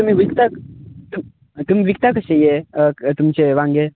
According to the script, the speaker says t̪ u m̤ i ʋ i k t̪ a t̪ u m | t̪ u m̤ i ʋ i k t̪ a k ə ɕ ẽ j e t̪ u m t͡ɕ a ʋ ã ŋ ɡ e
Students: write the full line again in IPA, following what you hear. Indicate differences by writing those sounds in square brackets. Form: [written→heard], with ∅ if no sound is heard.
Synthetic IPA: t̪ u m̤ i ʋ i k t̪ a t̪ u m | t̪ u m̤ i ʋ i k t̪ a k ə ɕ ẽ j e t̪ u m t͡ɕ [a→e] ʋ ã ŋ ɡ e